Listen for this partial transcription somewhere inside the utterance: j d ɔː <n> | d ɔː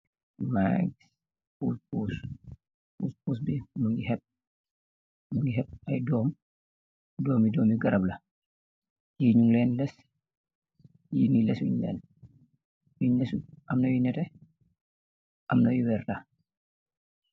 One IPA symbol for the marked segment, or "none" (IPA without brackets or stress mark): m